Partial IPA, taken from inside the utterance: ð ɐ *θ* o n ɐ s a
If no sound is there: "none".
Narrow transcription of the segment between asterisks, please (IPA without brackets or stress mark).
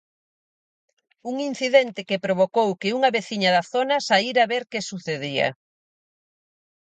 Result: θ